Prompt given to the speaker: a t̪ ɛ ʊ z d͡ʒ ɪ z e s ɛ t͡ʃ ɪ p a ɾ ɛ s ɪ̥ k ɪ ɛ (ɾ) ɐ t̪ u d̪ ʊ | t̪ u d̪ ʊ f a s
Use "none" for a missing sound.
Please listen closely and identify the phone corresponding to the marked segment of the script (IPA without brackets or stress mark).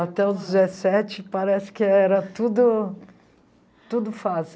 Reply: ɾ